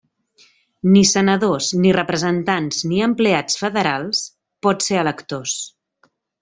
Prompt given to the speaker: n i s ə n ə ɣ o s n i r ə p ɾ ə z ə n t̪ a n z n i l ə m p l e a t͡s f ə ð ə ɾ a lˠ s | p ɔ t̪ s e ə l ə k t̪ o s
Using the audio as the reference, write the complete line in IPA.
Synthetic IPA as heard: n i s ə n ə ð o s n i r ə p ɾ ə z ə n t̪ a n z n i ə m p l e a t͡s f ə ð ə ɾ a lˠ s | p ɔ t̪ s e ə l ə k t̪ o s